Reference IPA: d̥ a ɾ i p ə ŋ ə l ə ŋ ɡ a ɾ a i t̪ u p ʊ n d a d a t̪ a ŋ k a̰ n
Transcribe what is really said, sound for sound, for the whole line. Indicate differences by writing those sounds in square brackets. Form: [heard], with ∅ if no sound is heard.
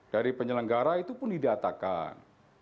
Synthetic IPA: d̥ a ɾ i p ə [ɲ] ə l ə ŋ ɡ a ɾ a i t̪ u p ʊ n d [i] d a t̪ a [∅] k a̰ n